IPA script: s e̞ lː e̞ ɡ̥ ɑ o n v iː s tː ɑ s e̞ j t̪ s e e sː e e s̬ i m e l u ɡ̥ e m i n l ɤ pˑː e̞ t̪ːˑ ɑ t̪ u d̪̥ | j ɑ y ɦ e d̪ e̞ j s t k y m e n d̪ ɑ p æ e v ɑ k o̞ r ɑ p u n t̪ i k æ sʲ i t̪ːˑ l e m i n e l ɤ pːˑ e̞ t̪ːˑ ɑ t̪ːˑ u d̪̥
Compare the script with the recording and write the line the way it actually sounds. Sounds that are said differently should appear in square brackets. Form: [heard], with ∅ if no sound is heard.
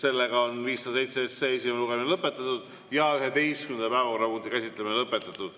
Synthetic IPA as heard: s e̞ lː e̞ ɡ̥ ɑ o n v iː s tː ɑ s e̞ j t̪ s e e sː e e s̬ i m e l u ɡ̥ e m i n l ɤ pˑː e̞ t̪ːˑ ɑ t̪ u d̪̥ | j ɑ y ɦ e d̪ e̞ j s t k y m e n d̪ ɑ p æ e v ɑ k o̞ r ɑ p u n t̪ i k æ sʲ i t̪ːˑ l e m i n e l ɤ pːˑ e̞ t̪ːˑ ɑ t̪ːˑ u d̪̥